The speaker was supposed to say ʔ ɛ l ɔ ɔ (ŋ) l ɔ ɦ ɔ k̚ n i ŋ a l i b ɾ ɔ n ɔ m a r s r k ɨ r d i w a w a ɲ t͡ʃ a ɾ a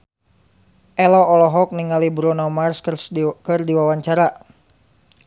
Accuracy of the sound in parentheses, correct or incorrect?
incorrect: none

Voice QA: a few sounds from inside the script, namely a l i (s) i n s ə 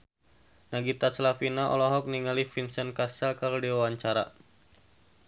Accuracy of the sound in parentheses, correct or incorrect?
incorrect: f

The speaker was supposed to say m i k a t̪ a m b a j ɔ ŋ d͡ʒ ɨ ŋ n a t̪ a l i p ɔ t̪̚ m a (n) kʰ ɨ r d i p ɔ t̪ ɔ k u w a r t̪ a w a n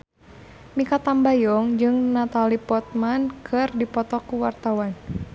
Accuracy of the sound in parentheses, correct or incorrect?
correct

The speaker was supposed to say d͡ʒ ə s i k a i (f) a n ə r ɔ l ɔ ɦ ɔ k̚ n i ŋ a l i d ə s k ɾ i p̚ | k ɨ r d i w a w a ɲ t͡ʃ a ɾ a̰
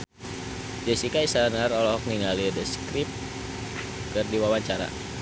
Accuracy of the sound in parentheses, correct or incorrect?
incorrect: s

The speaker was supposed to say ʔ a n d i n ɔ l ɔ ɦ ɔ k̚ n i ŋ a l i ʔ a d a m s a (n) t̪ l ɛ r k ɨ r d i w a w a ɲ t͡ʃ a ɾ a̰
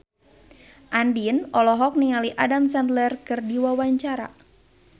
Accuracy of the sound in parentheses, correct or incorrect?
correct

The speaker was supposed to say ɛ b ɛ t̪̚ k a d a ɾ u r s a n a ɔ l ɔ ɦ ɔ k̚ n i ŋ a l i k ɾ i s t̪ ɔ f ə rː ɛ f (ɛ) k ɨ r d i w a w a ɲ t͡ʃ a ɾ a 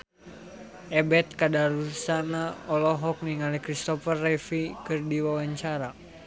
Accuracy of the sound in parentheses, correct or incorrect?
incorrect: i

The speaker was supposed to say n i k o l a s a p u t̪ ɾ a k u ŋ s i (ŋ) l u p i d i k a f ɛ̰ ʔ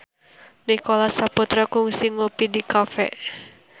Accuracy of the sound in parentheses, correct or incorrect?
correct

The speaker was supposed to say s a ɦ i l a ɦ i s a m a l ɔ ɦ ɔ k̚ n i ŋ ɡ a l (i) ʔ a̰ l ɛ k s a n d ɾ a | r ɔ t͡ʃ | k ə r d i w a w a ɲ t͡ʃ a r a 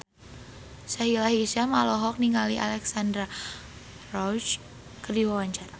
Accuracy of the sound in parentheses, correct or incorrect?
correct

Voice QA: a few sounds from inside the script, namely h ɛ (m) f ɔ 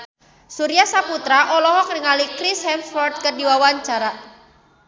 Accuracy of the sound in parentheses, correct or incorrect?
correct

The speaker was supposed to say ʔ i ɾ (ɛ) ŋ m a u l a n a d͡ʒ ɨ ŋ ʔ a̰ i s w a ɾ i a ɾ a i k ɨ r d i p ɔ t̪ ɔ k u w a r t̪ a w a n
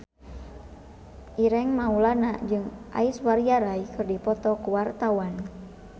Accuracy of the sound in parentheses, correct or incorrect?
correct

